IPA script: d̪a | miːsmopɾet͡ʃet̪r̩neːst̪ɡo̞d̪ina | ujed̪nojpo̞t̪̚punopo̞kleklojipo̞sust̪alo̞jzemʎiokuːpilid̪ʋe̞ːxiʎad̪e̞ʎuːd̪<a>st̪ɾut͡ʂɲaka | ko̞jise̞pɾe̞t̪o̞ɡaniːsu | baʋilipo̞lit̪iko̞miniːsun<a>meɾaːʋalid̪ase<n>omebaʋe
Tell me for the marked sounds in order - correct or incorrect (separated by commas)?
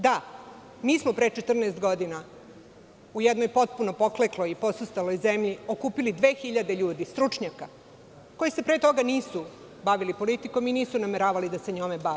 incorrect, correct, incorrect